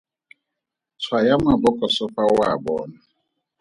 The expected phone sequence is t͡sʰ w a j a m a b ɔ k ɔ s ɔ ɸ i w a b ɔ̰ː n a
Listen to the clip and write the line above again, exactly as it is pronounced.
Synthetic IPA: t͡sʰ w a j a m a b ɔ k ɔ s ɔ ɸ a w a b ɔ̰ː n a